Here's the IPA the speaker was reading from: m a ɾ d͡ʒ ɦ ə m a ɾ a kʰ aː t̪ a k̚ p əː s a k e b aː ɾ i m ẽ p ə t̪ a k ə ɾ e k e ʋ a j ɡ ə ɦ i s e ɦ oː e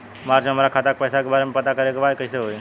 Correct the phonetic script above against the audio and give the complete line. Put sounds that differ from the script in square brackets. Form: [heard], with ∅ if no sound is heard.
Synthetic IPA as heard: m a ɾ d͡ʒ ɦ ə m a ɾ a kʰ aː t̪ a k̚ p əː s a k e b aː ɾ [e] m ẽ p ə t̪ a k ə ɾ e k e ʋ a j [k] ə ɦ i s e ɦ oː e

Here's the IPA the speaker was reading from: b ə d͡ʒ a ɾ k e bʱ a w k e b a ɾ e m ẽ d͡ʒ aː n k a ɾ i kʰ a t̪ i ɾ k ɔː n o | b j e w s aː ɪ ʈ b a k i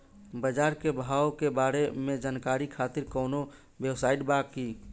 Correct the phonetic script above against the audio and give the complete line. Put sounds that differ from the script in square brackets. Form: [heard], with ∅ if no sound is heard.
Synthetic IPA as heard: b ə d͡ʒ a ɾ k e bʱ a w k e b a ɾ e m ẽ d͡ʒ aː n k a ɾ i kʰ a t̪ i ɾ k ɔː n o | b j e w s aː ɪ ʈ b a k i

